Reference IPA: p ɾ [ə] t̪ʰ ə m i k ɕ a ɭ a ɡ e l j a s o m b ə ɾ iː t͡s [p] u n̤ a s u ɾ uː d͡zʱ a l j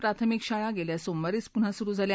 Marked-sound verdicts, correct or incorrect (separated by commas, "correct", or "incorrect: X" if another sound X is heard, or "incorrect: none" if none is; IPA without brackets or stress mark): incorrect: a, correct